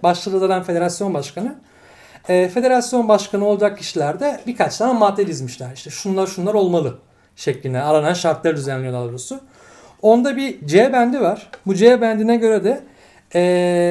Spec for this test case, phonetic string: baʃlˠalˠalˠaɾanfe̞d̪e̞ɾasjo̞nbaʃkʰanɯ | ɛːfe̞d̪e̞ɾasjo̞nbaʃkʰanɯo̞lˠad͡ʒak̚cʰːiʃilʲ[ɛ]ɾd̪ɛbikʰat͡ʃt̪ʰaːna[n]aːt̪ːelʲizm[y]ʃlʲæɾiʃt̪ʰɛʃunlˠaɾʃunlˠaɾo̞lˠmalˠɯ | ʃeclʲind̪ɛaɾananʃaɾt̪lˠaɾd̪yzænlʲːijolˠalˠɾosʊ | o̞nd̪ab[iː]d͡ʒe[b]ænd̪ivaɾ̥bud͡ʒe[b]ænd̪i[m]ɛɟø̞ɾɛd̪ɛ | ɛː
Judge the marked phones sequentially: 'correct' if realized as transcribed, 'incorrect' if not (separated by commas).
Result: incorrect, incorrect, incorrect, incorrect, correct, correct, incorrect